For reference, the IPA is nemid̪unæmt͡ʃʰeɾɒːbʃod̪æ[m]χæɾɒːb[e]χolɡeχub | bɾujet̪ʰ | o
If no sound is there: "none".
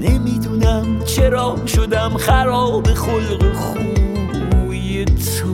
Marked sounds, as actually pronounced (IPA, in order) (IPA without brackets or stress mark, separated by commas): m, e